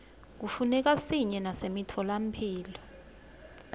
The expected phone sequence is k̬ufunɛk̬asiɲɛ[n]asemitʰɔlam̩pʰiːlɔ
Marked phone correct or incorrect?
correct